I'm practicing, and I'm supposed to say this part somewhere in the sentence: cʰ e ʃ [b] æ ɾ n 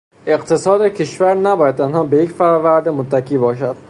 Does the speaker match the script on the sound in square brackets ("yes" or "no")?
no